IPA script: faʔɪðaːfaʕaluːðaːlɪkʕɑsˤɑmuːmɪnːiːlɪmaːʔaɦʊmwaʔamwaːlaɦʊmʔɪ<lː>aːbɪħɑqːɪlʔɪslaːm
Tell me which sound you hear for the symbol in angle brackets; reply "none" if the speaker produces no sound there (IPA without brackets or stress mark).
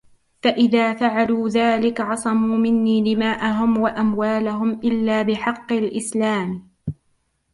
lː